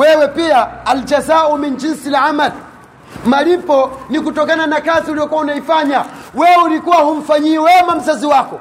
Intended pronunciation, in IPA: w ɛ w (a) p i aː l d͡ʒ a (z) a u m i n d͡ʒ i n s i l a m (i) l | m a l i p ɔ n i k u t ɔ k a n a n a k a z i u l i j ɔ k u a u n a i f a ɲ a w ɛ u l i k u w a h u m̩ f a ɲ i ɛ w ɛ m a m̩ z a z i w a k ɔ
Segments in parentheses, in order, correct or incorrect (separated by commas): incorrect, correct, incorrect